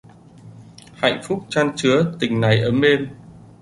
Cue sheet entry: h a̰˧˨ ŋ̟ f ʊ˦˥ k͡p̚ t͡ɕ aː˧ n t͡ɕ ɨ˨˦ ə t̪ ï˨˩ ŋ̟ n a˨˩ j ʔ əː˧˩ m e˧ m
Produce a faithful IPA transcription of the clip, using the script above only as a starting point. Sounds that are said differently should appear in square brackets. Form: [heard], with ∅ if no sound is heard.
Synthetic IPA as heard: h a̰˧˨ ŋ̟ f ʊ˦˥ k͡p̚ t͡ɕ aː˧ n t͡ɕ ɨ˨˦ ə t̪ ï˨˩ ŋ̟ n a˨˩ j ʔ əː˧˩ m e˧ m